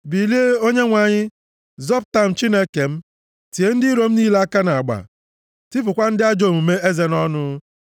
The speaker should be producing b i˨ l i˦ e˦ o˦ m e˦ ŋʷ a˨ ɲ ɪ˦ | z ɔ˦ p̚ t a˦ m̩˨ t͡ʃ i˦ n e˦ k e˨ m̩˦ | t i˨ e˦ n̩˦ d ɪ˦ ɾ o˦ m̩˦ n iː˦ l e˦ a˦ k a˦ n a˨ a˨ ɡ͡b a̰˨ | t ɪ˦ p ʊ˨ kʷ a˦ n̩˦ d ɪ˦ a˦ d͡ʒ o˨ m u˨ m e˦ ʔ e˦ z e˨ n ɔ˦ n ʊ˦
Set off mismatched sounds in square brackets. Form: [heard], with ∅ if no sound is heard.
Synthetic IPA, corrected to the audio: b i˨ l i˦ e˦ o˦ [ɲ] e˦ ŋʷ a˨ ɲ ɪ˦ | z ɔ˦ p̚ t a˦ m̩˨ t͡ʃ i˦ n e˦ k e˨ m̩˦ | t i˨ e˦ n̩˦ d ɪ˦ ɾ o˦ m̩˦ n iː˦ l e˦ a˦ k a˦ n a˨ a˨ ɡ͡b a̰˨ | t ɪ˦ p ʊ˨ kʷ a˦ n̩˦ d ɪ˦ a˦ d͡ʒ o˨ m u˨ m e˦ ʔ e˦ z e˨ n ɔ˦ n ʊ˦